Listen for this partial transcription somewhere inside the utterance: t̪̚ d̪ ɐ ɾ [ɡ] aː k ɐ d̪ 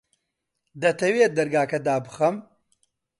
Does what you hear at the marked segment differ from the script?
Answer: no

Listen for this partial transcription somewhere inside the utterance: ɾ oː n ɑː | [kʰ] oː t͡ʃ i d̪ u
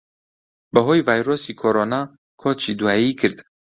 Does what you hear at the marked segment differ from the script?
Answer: no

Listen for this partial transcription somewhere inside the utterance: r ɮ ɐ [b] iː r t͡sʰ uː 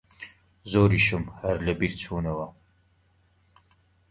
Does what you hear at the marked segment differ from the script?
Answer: no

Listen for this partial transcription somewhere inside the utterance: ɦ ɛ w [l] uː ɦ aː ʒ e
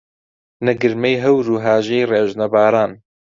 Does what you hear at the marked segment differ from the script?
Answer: yes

